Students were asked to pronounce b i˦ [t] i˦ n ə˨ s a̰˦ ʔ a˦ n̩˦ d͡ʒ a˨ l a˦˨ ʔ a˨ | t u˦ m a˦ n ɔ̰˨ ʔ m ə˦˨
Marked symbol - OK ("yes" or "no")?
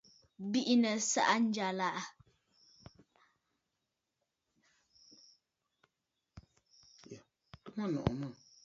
no